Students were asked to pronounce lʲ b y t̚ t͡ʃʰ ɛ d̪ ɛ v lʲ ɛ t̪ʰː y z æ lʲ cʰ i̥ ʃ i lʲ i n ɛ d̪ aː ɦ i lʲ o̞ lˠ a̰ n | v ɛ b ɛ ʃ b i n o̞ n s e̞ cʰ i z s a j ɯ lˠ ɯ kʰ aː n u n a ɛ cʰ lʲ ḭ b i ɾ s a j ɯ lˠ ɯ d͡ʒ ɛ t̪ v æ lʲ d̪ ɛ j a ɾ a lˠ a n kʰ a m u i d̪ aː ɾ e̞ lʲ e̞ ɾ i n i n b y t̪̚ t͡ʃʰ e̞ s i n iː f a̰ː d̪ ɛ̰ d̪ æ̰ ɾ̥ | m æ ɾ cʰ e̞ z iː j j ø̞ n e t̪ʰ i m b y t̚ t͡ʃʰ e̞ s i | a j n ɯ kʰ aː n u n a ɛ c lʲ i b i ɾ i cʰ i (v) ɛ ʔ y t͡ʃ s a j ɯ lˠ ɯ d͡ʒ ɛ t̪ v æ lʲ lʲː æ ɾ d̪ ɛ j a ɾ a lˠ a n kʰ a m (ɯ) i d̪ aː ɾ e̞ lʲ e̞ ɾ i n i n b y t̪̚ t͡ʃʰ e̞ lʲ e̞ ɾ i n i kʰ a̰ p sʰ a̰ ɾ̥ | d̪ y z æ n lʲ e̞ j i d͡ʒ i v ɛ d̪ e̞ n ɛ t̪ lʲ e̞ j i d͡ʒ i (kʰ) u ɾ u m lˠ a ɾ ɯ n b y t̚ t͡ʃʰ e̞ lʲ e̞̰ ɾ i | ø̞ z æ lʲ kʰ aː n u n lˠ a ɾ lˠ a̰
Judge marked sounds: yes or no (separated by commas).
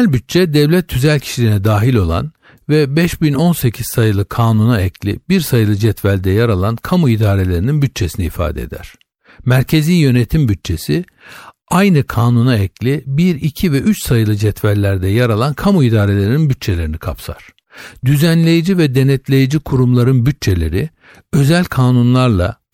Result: yes, no, yes